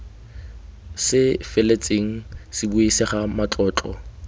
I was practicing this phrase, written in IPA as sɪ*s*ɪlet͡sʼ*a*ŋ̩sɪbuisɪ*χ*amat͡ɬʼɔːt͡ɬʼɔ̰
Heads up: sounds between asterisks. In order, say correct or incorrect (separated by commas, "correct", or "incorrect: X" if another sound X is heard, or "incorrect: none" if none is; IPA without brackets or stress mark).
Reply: incorrect: f, incorrect: e, correct